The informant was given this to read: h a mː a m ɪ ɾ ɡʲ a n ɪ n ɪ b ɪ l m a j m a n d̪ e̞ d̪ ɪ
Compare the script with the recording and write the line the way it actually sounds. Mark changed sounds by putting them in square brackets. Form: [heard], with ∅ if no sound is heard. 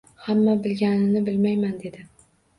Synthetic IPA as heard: h a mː a [b] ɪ [l] ɡʲ a n ɪ n ɪ b ɪ l m a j m a n d̪ e̞ d̪ ɪ